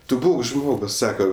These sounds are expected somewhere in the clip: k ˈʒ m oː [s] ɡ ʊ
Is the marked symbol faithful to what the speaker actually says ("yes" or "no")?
no